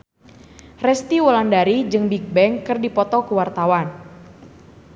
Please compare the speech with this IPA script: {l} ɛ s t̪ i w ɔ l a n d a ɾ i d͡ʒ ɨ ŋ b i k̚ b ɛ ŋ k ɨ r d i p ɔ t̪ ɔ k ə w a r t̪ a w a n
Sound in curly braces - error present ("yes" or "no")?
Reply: yes